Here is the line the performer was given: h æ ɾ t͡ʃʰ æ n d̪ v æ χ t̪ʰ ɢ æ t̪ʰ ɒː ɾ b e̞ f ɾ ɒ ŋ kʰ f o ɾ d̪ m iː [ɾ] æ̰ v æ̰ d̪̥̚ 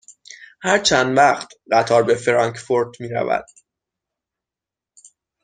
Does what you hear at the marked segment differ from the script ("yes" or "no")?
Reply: no